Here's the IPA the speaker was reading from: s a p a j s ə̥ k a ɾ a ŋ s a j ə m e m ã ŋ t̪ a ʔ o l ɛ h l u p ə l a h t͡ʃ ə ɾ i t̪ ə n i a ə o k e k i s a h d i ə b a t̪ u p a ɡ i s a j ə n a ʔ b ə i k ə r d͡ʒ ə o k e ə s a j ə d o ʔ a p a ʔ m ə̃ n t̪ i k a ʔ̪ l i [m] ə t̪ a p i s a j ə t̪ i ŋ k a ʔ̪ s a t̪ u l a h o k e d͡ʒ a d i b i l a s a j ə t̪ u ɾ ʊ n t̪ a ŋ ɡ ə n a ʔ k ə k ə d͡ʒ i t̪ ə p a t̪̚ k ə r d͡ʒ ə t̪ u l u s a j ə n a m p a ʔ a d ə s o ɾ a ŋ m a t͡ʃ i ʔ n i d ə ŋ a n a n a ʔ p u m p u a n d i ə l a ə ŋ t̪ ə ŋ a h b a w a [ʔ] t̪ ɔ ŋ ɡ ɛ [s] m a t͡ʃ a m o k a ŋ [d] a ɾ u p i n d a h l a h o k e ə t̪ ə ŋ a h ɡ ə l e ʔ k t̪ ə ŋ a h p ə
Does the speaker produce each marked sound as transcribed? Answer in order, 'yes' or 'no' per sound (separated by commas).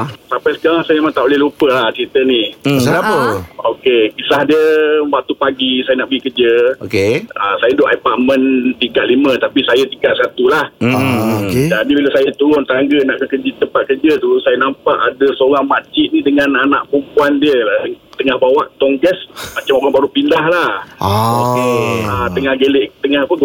yes, yes, yes, no